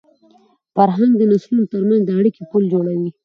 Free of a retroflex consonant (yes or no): no